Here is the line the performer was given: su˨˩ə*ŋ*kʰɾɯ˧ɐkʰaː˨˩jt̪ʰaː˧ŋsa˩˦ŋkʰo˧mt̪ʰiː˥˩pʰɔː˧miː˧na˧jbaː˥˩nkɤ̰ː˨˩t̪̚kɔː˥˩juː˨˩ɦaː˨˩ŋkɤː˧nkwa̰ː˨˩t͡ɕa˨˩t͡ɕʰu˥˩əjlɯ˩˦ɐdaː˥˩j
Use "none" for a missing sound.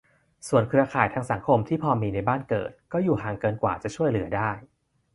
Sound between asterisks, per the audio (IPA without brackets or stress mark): n